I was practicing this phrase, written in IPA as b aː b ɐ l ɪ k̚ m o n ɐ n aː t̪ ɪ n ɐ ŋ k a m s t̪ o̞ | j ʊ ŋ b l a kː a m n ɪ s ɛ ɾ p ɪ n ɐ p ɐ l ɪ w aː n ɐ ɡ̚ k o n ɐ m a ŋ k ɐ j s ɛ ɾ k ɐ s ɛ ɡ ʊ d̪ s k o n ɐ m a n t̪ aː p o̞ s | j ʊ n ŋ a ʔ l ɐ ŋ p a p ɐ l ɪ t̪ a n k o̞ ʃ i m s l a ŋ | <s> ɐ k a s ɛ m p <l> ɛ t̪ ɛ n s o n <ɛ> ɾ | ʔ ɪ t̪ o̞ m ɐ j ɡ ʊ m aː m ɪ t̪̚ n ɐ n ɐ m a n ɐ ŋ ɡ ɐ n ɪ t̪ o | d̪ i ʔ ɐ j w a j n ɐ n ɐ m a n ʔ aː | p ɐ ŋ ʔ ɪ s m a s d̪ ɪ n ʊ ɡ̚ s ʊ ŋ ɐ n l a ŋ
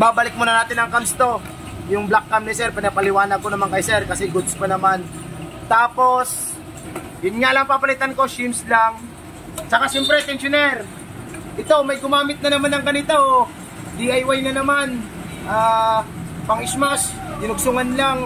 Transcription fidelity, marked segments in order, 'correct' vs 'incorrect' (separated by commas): correct, incorrect, correct